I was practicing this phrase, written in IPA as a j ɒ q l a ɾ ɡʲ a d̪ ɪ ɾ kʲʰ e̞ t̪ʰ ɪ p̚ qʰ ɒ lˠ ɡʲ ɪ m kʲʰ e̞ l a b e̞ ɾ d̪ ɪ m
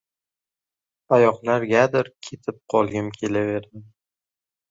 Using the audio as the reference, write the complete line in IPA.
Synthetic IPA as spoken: a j ɒ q l a ɾ ɡʲ a d̪ ɪ ɾ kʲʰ e̞ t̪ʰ ɪ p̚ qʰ ɒ lˠ ɡʲ ɪ m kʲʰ e̞ l a v e̞ ɾ d̪ ɪ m